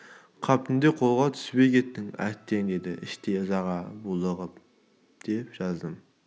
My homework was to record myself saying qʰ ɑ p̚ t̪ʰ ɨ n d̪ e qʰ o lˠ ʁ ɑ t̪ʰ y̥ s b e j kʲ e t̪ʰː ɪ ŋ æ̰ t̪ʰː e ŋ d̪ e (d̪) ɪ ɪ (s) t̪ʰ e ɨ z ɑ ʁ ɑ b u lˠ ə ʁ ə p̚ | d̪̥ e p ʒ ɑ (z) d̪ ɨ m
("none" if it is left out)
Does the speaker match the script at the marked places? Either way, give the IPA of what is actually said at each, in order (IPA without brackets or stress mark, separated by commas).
d̪, ʃ, z